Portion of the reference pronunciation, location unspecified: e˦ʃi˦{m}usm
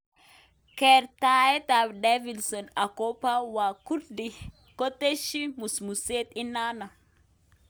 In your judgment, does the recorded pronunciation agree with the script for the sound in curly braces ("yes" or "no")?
yes